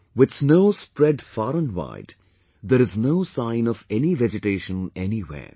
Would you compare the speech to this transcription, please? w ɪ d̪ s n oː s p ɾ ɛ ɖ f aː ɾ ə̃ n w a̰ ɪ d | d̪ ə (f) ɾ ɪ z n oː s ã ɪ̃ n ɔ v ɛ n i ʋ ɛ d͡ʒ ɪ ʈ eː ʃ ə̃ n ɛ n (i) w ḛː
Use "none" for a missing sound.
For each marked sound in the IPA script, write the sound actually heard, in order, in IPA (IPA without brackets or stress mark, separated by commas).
none, i